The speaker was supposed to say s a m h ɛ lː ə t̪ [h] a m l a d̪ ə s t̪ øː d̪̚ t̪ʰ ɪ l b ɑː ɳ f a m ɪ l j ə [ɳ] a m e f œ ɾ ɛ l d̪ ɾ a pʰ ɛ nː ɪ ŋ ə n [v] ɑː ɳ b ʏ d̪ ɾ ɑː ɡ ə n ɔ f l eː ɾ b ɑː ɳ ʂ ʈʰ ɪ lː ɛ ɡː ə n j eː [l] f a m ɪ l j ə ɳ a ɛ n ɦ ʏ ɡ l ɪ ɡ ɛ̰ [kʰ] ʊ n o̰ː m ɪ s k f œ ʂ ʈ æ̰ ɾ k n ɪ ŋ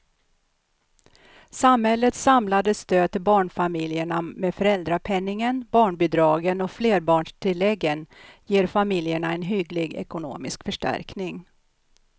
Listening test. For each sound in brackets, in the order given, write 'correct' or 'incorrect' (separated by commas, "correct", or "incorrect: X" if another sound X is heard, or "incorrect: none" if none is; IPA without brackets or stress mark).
incorrect: s, correct, incorrect: b, incorrect: ɾ, incorrect: k